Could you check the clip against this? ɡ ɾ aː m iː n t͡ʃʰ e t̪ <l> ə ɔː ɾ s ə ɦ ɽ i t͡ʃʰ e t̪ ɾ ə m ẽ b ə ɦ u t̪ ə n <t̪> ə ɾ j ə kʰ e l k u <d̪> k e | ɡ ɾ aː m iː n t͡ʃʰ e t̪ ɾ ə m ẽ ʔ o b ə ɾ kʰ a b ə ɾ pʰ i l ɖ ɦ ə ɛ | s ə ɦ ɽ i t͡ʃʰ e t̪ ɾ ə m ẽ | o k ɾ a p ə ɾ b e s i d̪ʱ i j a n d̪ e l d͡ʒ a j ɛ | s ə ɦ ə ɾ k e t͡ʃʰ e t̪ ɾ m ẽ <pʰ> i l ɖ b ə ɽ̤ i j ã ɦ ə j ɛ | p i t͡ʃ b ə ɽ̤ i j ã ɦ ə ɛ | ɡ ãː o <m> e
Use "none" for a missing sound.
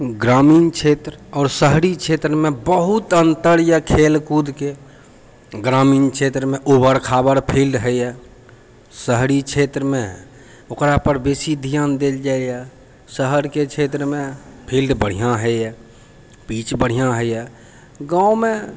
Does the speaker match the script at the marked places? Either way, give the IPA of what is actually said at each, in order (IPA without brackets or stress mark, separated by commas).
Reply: ɾ, t̪, d̪, pʰ, m